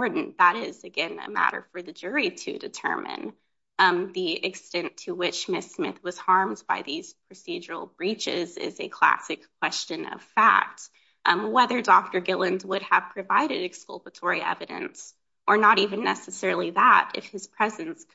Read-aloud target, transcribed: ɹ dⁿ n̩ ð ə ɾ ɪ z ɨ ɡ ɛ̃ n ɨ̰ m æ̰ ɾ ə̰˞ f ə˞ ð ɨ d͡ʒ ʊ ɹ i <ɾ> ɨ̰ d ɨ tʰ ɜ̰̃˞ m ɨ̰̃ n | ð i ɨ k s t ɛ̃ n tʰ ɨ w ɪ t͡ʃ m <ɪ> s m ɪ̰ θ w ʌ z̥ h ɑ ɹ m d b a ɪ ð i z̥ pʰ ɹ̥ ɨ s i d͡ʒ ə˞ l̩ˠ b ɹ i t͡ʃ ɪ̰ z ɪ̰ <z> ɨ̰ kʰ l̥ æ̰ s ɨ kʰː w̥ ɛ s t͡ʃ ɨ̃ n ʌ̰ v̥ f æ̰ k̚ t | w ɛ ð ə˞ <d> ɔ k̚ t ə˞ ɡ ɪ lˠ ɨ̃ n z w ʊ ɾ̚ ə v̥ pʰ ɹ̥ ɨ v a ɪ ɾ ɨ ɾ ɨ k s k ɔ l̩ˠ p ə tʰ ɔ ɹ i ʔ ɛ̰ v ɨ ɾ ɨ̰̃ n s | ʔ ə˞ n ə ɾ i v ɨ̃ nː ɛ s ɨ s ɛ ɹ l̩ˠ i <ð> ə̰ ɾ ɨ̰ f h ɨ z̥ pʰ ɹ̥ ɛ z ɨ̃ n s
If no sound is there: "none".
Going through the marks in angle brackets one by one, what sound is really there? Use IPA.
ɾ, ɪ, z, d, ð

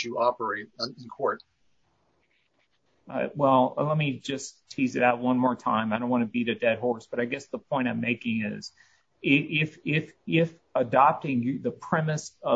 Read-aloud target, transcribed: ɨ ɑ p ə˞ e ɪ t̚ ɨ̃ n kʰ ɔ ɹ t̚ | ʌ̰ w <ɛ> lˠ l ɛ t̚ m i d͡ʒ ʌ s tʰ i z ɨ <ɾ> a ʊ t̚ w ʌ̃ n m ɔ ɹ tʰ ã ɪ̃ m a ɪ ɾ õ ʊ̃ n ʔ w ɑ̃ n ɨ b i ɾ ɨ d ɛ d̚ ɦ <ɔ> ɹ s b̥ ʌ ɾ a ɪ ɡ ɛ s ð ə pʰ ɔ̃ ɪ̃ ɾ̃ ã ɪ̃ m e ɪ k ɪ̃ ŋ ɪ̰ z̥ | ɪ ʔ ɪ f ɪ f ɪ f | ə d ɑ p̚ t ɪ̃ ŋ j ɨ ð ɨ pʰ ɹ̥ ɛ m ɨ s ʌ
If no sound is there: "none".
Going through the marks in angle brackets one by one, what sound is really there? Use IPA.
ɛ, ɾ, ɔ

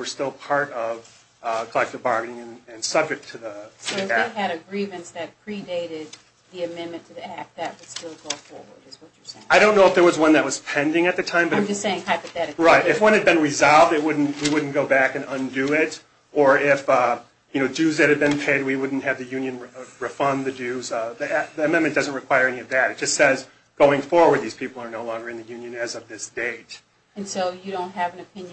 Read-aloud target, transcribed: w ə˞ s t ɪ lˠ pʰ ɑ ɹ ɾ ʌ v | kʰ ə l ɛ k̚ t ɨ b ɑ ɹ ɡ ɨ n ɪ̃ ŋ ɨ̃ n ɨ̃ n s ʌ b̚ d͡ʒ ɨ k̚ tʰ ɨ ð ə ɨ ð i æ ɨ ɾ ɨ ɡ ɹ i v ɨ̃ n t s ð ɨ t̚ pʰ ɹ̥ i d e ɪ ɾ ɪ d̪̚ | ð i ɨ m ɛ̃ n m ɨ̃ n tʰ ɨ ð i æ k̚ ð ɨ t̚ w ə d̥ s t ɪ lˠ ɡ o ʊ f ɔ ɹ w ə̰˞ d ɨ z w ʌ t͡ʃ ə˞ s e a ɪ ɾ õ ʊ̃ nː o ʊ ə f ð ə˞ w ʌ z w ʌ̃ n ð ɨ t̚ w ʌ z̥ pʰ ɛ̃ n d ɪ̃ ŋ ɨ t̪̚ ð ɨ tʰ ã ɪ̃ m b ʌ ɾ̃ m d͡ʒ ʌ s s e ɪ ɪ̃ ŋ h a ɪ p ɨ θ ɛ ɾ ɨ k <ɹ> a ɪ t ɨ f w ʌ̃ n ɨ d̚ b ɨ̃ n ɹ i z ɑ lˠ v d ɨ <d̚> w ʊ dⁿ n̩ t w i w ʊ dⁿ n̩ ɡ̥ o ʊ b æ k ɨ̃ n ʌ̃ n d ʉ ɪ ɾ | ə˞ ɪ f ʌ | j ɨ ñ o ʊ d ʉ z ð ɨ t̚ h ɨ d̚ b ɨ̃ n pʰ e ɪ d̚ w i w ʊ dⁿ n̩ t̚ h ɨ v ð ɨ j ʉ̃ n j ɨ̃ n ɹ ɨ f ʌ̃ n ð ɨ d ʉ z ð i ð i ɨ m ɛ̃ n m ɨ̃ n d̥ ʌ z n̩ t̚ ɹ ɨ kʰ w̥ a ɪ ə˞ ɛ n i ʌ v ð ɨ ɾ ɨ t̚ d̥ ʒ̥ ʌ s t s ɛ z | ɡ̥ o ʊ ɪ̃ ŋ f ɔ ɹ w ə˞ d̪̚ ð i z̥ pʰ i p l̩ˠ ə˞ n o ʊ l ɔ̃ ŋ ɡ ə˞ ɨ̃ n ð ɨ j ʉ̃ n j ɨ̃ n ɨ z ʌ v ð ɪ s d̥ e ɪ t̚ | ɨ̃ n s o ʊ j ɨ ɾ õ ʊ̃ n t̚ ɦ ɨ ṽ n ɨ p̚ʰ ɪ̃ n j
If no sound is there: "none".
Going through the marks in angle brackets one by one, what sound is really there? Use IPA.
ɹ, t̚

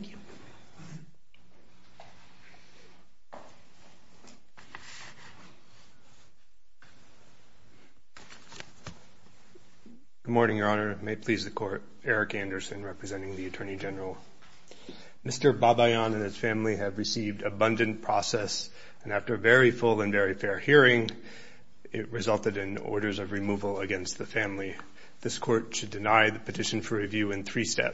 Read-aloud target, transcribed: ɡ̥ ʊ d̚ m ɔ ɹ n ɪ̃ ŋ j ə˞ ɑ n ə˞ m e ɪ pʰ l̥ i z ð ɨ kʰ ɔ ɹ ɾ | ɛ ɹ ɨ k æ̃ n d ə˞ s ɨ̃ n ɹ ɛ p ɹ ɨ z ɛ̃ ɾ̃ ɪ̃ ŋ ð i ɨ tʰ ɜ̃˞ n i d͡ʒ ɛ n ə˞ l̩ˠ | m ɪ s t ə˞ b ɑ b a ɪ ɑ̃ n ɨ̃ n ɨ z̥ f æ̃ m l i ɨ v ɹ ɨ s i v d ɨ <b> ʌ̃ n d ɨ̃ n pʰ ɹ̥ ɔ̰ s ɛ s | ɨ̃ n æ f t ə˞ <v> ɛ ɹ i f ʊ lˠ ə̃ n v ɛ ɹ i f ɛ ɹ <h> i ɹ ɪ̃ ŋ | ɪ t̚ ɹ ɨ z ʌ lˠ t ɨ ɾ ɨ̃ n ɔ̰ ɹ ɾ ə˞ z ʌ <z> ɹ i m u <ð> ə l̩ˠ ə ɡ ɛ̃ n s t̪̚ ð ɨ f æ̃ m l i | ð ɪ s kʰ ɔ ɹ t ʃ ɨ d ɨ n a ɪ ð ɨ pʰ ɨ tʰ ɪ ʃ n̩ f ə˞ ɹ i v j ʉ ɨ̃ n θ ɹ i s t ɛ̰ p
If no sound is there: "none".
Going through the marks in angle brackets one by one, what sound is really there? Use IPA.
b, v, h, v, v

